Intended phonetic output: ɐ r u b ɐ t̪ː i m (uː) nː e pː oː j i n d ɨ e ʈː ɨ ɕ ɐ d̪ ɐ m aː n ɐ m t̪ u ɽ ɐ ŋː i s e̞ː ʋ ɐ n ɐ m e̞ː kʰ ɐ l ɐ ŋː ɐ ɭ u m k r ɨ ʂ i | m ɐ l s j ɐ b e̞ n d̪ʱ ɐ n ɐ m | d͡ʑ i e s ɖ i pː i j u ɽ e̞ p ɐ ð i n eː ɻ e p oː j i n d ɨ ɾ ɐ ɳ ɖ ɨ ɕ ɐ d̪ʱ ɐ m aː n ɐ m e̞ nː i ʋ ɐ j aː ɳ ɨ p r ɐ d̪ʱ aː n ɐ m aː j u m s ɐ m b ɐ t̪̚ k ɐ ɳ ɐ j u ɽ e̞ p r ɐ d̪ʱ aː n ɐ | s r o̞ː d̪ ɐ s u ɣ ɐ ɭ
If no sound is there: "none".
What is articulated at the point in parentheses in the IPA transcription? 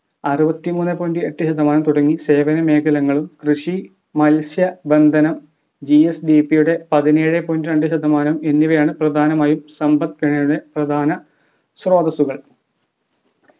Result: uː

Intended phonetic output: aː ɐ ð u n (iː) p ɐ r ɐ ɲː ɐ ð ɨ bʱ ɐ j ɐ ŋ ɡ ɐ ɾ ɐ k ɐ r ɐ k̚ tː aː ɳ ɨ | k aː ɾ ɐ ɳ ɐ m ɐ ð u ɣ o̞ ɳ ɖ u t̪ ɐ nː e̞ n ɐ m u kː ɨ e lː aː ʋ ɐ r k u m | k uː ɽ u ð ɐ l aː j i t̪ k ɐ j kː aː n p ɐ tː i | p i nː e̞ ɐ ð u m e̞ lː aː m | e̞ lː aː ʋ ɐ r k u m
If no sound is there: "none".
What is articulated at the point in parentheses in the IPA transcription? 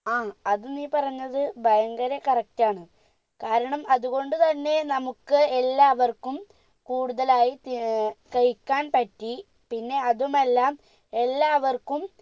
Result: iː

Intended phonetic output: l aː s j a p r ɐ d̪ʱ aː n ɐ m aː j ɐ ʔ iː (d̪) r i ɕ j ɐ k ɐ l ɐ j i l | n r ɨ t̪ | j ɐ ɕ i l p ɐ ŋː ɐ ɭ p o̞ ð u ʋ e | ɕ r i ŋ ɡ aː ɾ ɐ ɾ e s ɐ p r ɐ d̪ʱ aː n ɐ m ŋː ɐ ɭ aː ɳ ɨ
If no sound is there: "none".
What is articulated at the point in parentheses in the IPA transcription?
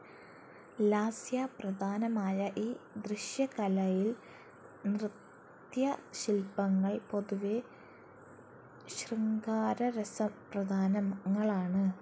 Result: d̪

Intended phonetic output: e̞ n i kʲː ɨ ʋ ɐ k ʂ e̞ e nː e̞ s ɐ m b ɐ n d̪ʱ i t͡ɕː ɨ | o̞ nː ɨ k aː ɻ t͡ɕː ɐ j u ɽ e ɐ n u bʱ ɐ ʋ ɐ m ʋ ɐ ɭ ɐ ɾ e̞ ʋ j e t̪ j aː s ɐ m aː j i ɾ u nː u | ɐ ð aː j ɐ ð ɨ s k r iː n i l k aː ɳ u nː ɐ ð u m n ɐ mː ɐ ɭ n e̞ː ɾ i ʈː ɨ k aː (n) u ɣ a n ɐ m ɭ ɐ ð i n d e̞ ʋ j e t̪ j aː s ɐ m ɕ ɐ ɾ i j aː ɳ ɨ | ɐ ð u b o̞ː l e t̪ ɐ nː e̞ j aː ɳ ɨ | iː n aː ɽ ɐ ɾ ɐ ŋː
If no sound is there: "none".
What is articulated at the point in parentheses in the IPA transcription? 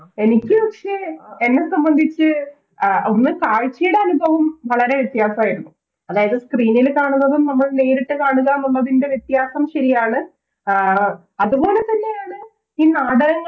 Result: ɳ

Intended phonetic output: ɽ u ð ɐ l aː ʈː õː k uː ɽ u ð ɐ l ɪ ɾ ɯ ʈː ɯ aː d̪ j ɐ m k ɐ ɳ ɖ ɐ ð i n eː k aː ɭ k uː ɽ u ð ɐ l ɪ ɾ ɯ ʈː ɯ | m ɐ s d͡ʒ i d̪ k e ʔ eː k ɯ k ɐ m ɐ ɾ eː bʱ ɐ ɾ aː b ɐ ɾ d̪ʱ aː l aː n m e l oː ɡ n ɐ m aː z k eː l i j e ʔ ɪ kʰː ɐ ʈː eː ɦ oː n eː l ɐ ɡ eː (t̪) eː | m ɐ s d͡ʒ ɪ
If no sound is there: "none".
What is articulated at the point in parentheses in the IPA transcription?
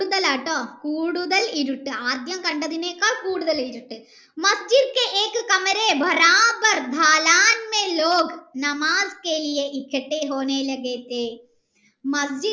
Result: t̪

